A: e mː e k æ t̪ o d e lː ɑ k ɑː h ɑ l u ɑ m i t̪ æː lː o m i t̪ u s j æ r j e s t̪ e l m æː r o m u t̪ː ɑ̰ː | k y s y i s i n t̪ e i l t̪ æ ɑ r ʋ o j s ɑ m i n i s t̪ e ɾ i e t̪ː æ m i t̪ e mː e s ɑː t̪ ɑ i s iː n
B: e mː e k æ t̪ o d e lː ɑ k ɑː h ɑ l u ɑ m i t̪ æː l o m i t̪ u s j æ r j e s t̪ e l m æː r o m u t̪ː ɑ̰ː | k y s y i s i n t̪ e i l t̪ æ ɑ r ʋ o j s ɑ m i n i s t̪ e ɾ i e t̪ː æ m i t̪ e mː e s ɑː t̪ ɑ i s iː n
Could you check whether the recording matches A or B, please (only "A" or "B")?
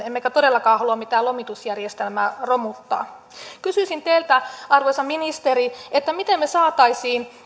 B